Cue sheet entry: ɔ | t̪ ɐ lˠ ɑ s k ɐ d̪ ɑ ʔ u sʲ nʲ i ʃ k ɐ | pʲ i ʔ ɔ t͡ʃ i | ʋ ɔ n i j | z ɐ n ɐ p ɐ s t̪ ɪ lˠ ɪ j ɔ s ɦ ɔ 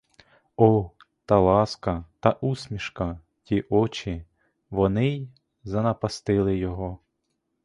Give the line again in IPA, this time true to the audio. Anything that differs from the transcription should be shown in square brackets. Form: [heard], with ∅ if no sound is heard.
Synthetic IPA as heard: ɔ | t̪ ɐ lˠ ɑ s k ɐ [t̪] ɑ ʔ u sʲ [mʲ] i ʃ k ɐ | [tʲ] i ʔ ɔ t͡ʃ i | ʋ ɔ n [ɪ] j | z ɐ n ɐ p ɐ s t̪ ɪ lˠ ɪ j ɔ [∅] ɦ ɔ

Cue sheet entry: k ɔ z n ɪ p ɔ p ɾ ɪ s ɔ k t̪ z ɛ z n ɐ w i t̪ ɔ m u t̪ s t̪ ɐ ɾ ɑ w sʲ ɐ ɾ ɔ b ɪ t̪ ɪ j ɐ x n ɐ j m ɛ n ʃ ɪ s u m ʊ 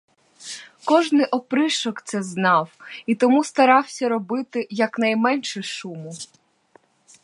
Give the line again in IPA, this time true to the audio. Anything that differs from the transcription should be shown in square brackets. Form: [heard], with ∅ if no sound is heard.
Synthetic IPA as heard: k ɔ [ʒ] n ɪ [ʔ] ɔ p ɾ ɪ [ʃ] ɔ k t̪ [s] ɛ z n [ɑ] w i t̪ ɔ m u [∅] s t̪ ɐ ɾ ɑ w sʲ ɐ ɾ ɔ b ɪ t̪ ɪ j ɐ [k] n ɐ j m ɛ n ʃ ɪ [ʃ] u m ʊ

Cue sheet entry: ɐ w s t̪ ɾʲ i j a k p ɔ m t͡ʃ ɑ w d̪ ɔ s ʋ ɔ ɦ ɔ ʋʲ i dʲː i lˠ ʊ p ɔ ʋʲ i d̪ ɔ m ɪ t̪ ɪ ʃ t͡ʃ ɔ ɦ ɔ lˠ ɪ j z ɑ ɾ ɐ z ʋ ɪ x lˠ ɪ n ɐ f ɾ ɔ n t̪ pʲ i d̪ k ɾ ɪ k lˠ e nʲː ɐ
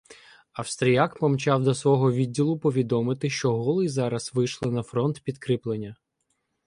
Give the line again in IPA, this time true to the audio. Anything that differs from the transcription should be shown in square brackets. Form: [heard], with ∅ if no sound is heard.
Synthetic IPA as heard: ɐ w s t̪ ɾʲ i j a k p ɔ m t͡ʃ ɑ w d̪ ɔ s ʋ ɔ ɦ ɔ ʋʲ i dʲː i lˠ ʊ p ɔ ʋʲ i d̪ ɔ m ɪ t̪ ɪ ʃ t͡ʃ ɔ ɦ ɔ lˠ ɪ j z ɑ ɾ ɐ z ʋ ɪ [ʃ] lˠ ɪ n ɐ f ɾ ɔ n t̪ pʲ i d̪ k ɾ ɪ [p] lˠ e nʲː ɐ

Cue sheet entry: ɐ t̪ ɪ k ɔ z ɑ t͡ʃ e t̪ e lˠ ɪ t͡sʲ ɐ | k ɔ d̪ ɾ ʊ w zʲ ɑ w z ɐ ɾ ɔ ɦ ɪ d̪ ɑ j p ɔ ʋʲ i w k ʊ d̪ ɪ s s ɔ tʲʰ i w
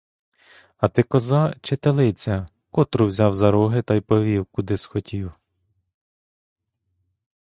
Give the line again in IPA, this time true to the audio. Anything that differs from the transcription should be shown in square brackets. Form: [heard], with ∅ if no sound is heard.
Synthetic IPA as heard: ɐ t̪ ɪ k ɔ z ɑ t͡ʃ e t̪ e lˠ ɪ t͡sʲ ɐ | k ɔ [t̪] ɾ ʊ w zʲ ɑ w z ɐ ɾ ɔ ɦ ɪ [t̪] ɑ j p ɔ ʋʲ i w k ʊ d̪ ɪ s [x] ɔ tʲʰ i w

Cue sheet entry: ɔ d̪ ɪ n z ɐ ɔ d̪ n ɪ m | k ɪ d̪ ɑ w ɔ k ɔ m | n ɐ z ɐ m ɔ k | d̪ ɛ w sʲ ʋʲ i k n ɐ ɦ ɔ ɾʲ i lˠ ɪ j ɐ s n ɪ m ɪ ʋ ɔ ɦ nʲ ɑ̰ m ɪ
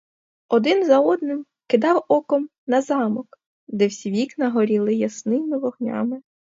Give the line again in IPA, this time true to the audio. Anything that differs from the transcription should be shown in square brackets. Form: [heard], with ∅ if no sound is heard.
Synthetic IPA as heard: ɔ d̪ ɪ n z ɐ ɔ d̪ n ɪ m | k ɪ d̪ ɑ w ɔ k ɔ m | n ɐ z [ɑ] m ɔ k | d̪ ɛ w sʲ ʋʲ i k n ɐ ɦ ɔ ɾʲ i lˠ ɪ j ɐ s n ɪ m ɪ ʋ ɔ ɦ nʲ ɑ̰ m ɪ

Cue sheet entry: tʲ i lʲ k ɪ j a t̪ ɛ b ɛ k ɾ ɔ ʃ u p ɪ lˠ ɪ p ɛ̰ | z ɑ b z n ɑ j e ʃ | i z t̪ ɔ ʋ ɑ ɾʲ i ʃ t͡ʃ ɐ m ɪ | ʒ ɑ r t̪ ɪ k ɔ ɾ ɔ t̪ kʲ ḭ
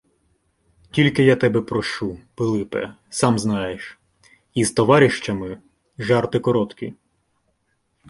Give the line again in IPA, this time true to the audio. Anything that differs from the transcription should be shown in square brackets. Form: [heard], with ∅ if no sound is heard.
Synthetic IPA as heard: tʲ i lʲ k ɪ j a t̪ ɛ b ɛ [p] ɾ ɔ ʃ u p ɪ lˠ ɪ p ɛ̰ | [s] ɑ [m] z n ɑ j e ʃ | i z t̪ ɔ ʋ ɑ ɾʲ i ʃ t͡ʃ ɐ m ɪ | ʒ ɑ r t̪ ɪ k ɔ ɾ ɔ t̪ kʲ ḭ

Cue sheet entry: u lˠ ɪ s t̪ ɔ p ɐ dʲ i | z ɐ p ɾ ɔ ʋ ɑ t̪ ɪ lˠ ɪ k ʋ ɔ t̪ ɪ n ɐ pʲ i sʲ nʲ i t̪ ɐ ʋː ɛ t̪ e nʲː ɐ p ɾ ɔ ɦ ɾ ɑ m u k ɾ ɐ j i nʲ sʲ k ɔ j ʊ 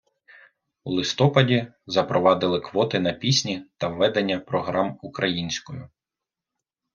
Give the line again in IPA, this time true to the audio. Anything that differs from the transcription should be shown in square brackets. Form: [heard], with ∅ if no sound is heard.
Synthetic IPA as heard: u lˠ ɪ s t̪ ɔ p ɐ dʲ i | z ɐ p ɾ ɔ ʋ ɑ [d̪] ɪ lˠ ɪ k ʋ ɔ t̪ ɪ n ɐ pʲ i sʲ nʲ i t̪ ɐ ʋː ɛ [d̪] e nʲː ɐ p ɾ ɔ ɦ ɾ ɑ m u k ɾ ɐ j i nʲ sʲ k ɔ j ʊ

